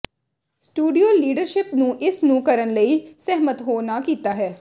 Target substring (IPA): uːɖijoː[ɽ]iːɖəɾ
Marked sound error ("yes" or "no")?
yes